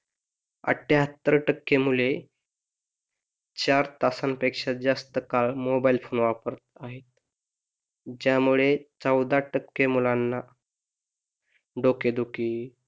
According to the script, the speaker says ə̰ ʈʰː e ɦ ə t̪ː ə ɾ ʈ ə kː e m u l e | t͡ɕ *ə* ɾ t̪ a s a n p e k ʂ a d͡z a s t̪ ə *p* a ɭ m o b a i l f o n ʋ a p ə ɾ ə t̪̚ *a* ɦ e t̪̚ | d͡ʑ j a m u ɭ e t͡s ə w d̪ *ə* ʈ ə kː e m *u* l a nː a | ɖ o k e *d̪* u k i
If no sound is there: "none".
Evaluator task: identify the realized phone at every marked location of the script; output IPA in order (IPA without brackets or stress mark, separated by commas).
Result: a, k, a, a, u, d̪